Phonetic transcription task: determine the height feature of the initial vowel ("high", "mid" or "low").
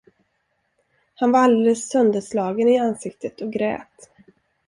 low